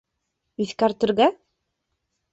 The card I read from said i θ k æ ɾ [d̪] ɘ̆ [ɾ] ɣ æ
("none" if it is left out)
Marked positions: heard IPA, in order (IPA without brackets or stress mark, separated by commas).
t̪, ɾ